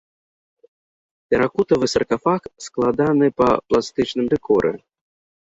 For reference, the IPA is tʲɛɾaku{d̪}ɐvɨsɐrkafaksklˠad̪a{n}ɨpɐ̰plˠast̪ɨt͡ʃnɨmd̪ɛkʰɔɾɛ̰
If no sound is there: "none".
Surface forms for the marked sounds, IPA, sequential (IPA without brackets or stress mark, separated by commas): t̪, n